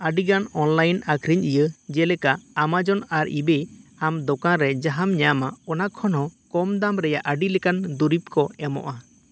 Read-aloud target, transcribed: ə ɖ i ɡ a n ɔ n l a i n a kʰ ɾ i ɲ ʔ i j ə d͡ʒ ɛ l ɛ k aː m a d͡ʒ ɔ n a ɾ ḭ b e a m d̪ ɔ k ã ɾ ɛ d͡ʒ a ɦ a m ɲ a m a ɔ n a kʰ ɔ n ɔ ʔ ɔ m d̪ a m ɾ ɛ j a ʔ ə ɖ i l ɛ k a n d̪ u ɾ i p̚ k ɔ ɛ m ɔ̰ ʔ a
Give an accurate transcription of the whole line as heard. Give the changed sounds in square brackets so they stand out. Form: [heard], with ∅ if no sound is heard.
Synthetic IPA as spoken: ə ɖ i ɡ a n ɔ n l a [j] n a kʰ ɾ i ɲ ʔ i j ə d͡ʒ ɛ l ɛ k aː m a d͡ʒ ɔ n a ɾ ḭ b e a m d̪ ɔ k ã ɾ ɛ d͡ʒ a ɦ a m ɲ a m a ɔ n a kʰ ɔ n ɔ [k] ɔ m d̪ a m ɾ ɛ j a ʔ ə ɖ i l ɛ k a n d̪ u ɾ i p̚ k ɔ ɛ m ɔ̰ ʔ a